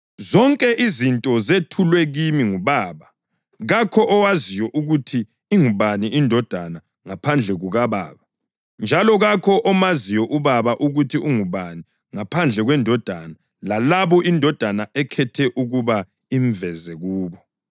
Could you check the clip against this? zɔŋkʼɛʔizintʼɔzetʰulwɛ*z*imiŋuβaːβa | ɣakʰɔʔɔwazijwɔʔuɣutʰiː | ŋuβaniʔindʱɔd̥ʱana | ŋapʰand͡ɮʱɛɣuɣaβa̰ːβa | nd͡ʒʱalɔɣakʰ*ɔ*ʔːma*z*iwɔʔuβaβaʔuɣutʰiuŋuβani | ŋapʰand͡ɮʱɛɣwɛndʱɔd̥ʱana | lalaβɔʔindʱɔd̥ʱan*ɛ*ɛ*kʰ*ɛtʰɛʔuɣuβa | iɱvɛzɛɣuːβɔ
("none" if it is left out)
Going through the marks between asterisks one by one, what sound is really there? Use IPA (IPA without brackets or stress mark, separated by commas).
ɣ, ɔ, z, a, kʰ